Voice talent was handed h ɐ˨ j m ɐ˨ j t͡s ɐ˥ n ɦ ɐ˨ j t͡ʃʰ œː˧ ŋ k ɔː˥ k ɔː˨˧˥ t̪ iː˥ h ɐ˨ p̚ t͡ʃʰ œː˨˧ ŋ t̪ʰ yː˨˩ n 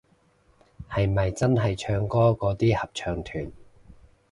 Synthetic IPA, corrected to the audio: h ɐ˨ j m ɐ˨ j t͡s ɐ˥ n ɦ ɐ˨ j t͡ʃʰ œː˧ ŋ k ɔː˥ k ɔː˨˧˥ t̪ iː˥ h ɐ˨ p̚ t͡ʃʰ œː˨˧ ŋ t̪ʰ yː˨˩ n